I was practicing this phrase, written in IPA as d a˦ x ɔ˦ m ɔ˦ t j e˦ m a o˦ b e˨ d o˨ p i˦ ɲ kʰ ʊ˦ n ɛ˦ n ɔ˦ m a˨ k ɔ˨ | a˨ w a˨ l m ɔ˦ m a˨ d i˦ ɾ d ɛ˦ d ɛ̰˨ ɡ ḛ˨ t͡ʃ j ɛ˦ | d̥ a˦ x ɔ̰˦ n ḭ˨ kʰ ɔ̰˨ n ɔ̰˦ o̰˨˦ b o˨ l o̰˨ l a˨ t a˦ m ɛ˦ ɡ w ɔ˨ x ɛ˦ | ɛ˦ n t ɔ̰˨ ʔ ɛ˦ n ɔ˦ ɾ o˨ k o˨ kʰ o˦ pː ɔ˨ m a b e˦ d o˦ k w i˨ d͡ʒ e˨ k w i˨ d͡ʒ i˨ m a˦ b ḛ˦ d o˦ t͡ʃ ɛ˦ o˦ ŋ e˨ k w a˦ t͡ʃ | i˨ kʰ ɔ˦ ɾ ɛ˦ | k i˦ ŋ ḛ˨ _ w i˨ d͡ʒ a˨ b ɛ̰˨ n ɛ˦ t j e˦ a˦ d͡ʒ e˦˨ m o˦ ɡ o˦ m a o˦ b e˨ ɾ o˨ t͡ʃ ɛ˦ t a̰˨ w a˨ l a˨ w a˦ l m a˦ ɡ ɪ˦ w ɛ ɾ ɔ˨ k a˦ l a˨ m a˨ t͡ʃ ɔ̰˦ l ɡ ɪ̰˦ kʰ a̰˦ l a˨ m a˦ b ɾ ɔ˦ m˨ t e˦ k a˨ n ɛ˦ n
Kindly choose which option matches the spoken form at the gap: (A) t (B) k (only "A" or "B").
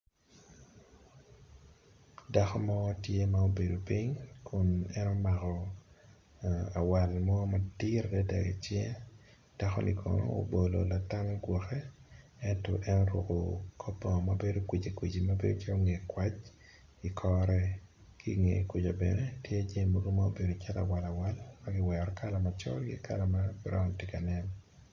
B